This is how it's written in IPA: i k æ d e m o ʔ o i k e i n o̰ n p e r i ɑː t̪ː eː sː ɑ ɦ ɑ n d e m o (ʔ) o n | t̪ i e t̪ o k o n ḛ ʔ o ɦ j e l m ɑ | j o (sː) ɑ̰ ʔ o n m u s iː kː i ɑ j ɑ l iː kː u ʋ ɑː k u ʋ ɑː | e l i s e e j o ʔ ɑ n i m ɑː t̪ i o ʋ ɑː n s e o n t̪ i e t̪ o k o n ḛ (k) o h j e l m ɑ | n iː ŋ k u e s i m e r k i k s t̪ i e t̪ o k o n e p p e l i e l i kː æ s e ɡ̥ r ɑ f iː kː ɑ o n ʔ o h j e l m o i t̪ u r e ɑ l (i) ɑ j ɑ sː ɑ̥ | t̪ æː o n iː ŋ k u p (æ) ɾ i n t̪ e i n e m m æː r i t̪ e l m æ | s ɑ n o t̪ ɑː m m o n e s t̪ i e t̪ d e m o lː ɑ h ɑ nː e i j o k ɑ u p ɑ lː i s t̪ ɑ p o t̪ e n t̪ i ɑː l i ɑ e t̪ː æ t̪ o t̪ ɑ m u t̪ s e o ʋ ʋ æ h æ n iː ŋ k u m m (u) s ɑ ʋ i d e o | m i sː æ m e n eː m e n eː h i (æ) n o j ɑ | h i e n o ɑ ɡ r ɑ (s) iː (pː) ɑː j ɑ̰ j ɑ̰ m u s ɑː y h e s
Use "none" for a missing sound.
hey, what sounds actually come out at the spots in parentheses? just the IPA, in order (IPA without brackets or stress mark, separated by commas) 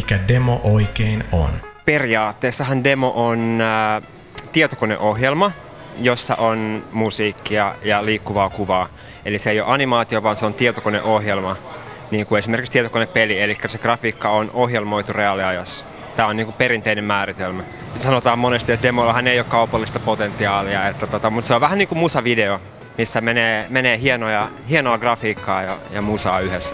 ʔ, sː, ʔ, i, e, u, e, f, kː